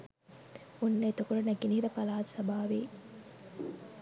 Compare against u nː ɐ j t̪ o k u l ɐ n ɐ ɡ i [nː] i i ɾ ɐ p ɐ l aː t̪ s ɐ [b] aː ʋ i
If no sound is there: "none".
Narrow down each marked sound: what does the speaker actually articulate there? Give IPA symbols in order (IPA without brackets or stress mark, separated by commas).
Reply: n, b